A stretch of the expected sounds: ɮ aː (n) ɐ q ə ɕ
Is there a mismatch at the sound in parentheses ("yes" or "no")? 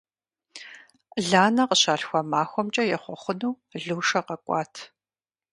no